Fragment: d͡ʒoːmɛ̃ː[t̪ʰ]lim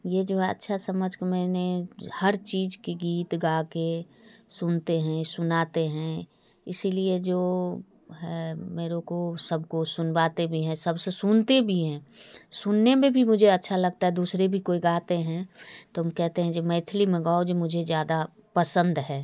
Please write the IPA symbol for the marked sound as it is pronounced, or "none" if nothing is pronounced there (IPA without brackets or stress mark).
t̪ʰ